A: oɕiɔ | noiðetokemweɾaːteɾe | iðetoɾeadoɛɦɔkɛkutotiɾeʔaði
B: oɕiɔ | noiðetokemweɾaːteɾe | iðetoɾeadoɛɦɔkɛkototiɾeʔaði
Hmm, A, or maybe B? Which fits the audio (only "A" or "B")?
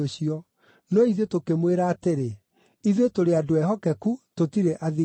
A